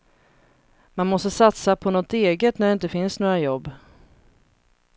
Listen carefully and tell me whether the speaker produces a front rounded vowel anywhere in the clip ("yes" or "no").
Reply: no